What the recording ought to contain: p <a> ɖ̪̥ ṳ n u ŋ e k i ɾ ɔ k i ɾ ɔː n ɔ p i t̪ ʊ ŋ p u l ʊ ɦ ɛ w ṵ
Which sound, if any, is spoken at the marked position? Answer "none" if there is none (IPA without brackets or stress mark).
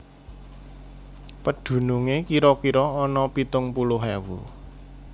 ə